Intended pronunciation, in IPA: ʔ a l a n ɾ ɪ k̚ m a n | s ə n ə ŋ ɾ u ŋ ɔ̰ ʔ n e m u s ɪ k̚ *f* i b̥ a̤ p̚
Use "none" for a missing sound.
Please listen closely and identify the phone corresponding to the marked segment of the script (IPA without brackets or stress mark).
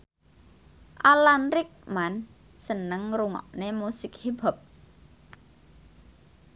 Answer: h